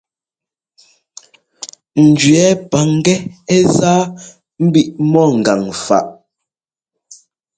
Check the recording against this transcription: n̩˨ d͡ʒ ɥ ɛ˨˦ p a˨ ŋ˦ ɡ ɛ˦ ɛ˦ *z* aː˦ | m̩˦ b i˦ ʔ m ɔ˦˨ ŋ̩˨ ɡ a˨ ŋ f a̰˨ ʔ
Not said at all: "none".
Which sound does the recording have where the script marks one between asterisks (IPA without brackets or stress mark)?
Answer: z